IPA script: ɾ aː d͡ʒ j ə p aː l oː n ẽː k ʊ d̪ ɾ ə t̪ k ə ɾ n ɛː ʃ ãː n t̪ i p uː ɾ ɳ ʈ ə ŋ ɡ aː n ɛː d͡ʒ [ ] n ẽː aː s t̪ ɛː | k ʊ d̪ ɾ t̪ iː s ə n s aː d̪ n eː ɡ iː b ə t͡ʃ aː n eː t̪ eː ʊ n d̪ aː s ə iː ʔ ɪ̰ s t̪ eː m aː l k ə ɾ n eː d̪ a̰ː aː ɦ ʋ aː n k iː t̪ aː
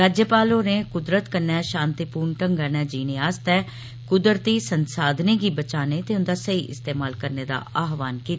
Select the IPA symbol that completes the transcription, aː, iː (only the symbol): iː